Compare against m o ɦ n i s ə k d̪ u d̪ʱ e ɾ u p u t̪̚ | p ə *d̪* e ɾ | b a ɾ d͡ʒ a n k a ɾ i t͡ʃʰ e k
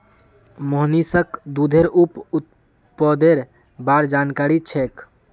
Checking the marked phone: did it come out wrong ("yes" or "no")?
no